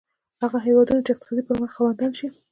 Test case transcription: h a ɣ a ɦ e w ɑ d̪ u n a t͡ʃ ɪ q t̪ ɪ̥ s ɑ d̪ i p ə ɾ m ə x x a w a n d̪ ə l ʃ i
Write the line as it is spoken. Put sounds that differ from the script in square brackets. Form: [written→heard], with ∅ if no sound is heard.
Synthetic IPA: h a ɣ a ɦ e w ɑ d̪ u n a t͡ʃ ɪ q t̪ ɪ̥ s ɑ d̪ i p ə ɾ m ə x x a w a n d̪ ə l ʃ i